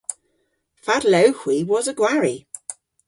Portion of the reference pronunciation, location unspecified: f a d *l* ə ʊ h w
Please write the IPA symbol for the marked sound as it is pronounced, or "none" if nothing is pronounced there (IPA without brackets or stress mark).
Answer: l